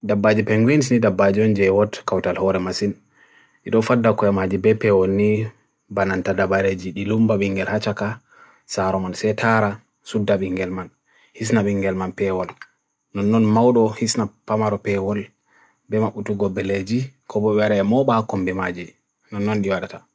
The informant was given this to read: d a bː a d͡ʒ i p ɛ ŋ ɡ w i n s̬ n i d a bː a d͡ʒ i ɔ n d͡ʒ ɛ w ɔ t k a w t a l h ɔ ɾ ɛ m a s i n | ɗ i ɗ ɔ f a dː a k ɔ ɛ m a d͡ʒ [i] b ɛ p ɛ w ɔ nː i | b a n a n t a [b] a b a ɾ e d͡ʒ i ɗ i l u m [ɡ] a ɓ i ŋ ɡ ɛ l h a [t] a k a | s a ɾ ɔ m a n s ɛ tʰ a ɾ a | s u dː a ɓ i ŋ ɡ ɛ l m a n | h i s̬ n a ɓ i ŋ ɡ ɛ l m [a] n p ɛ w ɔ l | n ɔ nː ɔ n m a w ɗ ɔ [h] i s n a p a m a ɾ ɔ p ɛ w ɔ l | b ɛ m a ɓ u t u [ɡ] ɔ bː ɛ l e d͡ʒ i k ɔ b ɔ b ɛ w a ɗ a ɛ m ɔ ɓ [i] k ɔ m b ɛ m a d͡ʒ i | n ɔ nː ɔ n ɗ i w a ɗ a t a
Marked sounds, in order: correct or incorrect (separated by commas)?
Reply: correct, incorrect, incorrect, incorrect, correct, correct, correct, incorrect